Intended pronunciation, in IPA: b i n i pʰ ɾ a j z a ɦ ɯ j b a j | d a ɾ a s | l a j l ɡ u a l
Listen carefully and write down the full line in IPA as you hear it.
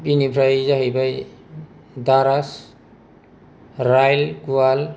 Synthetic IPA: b i n i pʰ ɾ a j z a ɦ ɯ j b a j | d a ɾ a s | ɾ a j l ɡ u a l